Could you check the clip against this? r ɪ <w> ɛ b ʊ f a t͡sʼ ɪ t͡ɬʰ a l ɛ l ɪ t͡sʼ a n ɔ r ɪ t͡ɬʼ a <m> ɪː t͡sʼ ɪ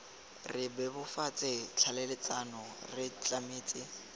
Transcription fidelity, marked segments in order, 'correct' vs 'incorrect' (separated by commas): incorrect, correct